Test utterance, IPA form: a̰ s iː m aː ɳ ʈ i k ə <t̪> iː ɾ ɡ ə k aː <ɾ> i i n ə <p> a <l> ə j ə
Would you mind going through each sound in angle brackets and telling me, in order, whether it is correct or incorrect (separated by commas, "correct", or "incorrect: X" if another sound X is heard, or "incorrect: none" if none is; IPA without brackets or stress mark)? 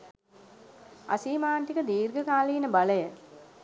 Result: incorrect: d̪, incorrect: l, incorrect: b, correct